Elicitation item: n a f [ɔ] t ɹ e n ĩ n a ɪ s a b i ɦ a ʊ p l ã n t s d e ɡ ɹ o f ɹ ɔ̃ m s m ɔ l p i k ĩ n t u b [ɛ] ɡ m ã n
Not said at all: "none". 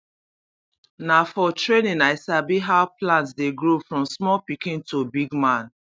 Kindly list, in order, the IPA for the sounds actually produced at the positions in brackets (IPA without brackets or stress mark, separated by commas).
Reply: ɔ, i